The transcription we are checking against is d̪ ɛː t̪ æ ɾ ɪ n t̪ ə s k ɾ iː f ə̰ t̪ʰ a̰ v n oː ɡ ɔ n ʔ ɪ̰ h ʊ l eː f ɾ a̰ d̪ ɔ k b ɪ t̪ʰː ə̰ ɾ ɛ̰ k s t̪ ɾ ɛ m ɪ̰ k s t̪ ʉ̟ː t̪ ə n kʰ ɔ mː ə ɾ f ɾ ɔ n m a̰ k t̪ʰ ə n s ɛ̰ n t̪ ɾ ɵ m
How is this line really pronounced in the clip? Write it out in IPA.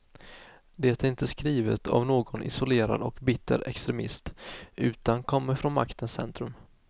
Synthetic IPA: d̪ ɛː t̪ æ ɾ ɪ n t̪ ə s k ɾ iː v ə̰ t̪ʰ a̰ v n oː ɡ ɔ n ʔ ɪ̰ s ʊ l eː ɾ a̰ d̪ ɔ k b ɪ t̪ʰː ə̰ ɾ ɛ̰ k s t̪ ɾ ɛ m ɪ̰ s t̪ ʉ̟ː t̪ a n kʰ ɔ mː ə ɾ f ɾ ɔ n m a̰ k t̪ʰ ə n s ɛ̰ n t̪ ɾ ɵ m